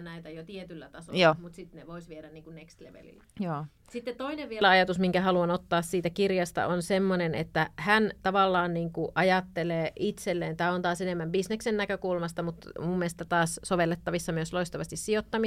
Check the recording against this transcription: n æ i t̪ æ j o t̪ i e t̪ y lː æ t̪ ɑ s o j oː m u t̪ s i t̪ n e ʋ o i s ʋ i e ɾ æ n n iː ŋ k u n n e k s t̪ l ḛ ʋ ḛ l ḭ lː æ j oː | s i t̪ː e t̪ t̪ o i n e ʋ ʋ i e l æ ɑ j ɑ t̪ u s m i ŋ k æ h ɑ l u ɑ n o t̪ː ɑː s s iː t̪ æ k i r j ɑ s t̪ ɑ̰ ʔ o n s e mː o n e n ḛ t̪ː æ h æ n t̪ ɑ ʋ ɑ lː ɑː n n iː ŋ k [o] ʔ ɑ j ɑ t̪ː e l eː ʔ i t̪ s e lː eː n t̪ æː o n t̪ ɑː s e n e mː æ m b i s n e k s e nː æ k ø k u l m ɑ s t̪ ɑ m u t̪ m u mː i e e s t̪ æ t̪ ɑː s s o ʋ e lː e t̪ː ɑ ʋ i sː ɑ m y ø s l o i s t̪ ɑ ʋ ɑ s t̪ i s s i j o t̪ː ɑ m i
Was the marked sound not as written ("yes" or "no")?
yes